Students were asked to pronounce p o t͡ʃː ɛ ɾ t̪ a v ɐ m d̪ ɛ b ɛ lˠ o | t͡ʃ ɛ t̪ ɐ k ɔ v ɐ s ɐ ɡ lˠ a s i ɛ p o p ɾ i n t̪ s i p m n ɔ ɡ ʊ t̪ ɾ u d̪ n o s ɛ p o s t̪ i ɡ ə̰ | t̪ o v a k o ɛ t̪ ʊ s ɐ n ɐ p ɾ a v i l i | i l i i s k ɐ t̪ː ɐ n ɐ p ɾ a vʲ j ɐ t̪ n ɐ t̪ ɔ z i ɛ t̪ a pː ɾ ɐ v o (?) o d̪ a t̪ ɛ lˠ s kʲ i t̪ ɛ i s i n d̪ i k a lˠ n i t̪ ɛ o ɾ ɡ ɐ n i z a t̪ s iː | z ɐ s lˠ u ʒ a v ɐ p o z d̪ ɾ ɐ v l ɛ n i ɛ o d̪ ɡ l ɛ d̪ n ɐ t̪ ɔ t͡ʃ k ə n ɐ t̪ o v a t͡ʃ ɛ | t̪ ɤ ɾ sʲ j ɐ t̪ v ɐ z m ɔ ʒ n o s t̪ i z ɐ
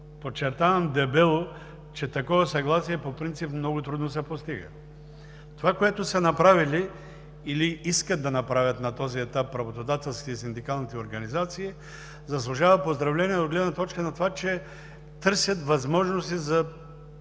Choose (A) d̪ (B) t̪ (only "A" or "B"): B